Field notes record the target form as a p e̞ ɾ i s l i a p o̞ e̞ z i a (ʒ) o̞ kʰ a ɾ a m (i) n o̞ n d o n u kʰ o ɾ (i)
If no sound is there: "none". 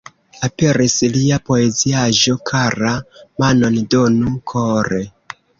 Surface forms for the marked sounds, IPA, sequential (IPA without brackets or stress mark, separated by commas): ʒ, a, e